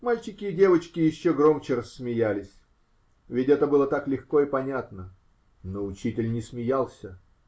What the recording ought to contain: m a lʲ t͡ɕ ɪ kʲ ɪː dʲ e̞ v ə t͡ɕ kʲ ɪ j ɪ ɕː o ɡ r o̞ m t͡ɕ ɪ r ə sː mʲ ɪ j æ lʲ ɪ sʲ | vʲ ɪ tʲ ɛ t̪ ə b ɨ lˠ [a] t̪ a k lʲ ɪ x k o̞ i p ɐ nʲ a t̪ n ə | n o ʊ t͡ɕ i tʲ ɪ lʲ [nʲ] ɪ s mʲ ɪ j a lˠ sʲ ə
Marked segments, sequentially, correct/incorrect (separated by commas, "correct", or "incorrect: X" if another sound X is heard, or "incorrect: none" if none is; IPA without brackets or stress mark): incorrect: ə, correct